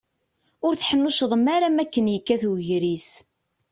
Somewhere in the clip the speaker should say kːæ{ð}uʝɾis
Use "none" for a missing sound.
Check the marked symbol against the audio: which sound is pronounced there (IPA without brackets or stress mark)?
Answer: θ